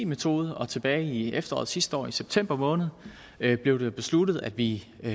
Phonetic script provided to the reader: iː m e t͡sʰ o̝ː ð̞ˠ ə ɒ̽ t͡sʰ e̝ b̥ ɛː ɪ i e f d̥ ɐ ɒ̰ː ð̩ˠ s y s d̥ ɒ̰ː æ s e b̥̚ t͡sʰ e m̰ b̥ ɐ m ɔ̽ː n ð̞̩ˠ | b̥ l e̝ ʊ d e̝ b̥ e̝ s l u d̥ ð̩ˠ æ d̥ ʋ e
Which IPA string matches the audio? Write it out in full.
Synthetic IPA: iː m e t͡sʰ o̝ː ð̞ˠ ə ɒ̽ t͡sʰ e̝ b̥ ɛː ɪ i e f d̥ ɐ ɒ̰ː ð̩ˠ s i s d̥ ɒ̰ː i s e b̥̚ t͡sʰ e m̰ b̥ ɐ m ɔ̽ː n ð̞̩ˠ | b̥ l e̝ ʊ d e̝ b̥ e̝ s l u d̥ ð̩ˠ æ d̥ ʋ i